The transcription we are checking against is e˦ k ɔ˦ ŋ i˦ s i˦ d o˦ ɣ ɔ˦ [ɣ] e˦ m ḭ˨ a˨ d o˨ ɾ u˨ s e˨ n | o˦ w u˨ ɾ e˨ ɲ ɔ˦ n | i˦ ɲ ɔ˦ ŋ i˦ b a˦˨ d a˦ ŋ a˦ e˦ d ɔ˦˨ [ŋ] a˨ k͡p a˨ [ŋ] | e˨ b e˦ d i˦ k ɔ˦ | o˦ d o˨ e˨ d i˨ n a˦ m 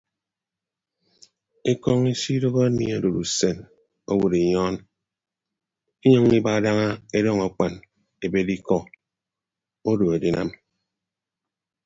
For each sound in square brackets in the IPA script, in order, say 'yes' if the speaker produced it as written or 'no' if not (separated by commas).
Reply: no, yes, no